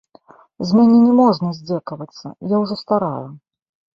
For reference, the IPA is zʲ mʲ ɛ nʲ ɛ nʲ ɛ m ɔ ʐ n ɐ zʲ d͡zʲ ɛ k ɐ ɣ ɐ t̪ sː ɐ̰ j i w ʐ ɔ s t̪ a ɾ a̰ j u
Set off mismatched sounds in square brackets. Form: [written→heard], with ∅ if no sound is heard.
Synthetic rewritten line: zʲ mʲ [ɛ→a] nʲ ɛ nʲ ɛ m ɔ ʐ n ɐ zʲ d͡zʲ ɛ k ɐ [ɣ→v] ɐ t̪ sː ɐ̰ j [i→a] w ʐ ɔ s t̪ a ɾ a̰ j u